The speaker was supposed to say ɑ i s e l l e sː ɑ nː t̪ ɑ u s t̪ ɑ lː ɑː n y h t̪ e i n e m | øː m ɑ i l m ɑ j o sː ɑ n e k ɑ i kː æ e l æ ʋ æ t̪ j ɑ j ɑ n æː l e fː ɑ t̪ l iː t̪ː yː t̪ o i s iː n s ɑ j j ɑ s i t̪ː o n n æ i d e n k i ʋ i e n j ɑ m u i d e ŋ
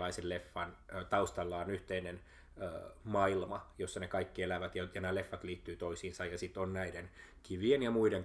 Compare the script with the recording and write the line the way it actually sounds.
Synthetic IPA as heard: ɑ i s e l l e fː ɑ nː t̪ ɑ u s t̪ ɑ lː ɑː n y h t̪ e i n e n | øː m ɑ i l m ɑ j o sː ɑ n e k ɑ i kː i e l æ ʋ æ t̪ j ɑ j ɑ n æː l e fː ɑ t̪ l iː t̪ː yː t̪ o i s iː n s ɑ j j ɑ s i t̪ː o n n æ i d e n k i ʋ i e n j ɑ m u i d e ŋ